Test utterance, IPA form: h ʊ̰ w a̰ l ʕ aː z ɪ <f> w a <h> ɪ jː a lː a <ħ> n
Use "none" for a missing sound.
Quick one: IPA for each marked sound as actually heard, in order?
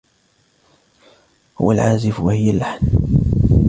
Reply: f, h, ħ

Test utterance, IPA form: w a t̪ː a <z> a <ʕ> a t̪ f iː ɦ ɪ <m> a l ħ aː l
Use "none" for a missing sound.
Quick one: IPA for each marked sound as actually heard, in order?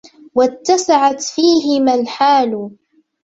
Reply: s, ʕ, m

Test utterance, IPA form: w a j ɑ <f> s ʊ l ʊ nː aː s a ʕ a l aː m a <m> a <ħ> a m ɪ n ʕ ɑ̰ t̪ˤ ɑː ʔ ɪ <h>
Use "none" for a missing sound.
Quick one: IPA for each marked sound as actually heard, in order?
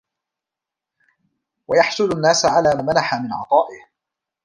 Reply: ħ, n, ħ, h

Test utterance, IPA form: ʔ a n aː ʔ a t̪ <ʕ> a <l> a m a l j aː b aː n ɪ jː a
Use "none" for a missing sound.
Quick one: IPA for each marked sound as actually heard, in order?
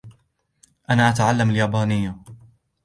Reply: ʕ, lː

